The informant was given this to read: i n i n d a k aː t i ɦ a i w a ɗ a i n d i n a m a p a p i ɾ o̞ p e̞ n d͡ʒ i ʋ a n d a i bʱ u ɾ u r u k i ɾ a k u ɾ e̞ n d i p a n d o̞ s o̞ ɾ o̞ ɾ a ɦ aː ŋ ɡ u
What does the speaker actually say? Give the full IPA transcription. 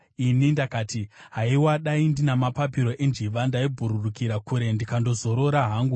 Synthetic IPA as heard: i n i n d a k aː t i ɦ a i w a ɗ a i n d i n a m a p a p i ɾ o̞ ʔ e̞ n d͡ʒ i ʋ a n d a i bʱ u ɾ u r u k i ɾ a k u ɾ e̞ n d i k a n d o̞ z o̞ ɾ o̞ ɾ a ɦ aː ŋ ɡ u